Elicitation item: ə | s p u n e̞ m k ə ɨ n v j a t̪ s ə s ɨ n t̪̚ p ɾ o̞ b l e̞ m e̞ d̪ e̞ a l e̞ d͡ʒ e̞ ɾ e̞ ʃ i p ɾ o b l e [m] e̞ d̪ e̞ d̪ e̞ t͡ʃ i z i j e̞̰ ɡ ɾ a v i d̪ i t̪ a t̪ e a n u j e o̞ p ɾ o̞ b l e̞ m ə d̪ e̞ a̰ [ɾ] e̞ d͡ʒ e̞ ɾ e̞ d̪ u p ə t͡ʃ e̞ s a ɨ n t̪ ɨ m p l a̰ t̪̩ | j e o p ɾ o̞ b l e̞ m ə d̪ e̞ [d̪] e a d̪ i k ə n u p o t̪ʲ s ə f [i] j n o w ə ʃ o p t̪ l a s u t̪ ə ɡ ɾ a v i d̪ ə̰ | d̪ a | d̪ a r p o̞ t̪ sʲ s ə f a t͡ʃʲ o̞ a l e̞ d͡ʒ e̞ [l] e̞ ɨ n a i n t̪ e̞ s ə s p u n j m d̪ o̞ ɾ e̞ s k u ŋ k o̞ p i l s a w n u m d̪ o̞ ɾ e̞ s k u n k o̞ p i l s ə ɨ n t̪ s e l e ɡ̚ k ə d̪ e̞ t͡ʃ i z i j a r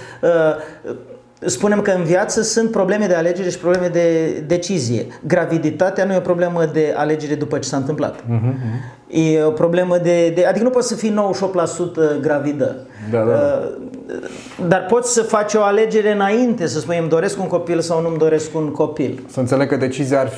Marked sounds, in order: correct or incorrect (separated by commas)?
correct, incorrect, correct, correct, incorrect